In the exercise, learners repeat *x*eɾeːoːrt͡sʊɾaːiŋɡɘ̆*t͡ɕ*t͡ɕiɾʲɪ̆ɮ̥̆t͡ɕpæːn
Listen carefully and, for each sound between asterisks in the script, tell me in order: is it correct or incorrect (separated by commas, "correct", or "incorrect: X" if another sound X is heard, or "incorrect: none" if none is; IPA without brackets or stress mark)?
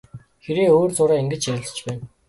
correct, correct